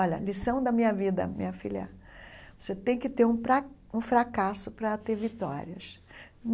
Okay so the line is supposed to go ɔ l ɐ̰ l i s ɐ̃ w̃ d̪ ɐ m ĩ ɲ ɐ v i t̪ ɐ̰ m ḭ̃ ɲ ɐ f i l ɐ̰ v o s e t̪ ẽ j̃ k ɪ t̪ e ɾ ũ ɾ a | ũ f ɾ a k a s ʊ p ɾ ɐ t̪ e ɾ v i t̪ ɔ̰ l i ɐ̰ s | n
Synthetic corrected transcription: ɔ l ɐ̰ l i s ɐ̃ w̃ d̪ ɐ m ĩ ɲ ɐ v i d̪ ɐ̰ m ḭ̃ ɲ ɐ f i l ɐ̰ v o s e t̪ ẽ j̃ k ɪ t̪ e ɾ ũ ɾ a | ũ f ɾ a k a s ʊ p ɾ ɐ t̪ e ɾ v i t̪ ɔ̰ ɾ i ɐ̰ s | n